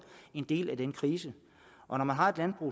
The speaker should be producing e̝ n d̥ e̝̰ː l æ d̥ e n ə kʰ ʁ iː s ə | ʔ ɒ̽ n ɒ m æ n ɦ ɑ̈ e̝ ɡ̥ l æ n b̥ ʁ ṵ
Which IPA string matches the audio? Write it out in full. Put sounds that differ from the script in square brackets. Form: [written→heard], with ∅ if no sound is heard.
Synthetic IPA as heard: e̝ n d̥ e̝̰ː l æ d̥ e n ə kʰ ʁ iː s ə | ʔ ɒ̽ n ɒ m æ n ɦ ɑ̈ e̝ [ɡ̥→d̥] l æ n b̥ ʁ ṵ